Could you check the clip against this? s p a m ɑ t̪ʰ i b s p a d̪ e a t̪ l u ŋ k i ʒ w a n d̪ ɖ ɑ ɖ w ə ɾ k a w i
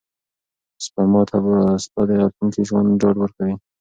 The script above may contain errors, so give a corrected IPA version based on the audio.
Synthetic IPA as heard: s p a m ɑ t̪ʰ a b s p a d̪ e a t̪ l u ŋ k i ʒ w a n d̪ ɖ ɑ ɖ w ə ɾ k a w i